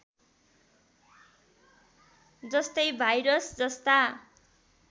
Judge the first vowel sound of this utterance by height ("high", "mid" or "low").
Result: mid